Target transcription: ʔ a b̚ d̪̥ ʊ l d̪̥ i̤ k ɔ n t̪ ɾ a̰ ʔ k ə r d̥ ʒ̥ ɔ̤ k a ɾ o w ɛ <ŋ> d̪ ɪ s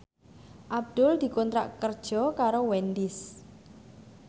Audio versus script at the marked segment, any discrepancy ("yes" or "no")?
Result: yes